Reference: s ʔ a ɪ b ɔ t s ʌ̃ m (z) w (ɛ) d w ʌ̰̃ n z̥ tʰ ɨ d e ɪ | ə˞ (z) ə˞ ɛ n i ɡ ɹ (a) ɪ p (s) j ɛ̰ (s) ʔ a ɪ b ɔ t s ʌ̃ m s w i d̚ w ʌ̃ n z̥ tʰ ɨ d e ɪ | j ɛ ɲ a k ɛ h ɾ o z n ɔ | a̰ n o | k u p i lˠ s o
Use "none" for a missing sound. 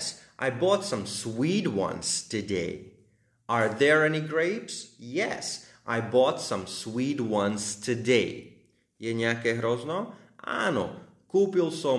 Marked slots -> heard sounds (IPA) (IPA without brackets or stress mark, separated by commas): s, i, ð, e, s, s